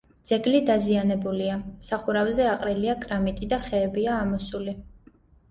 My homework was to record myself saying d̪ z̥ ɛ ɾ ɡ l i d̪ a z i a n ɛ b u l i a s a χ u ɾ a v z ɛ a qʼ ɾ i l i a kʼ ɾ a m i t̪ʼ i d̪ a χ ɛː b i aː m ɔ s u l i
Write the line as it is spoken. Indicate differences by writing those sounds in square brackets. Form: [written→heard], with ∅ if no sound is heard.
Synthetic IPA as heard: d̪ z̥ ɛ [ɾ→∅] ɡ l i d̪ a z i a n ɛ b u l i a s a χ u ɾ a v z ɛ a qʼ ɾ i l i a kʼ ɾ a m i t̪ʼ i d̪ a χ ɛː b i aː m ɔ s u l i